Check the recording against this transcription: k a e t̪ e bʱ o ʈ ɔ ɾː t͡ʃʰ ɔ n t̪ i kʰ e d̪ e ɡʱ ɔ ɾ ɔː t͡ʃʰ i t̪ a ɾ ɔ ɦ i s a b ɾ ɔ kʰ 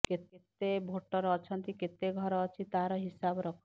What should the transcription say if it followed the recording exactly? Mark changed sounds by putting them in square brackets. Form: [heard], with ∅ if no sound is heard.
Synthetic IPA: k [e] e t̪ e bʱ o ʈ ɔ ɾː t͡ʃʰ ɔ n t̪ i [k] e [t̪] e ɡʱ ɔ ɾ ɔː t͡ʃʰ i t̪ a ɾ ɔ ɦ i s a b ɾ ɔ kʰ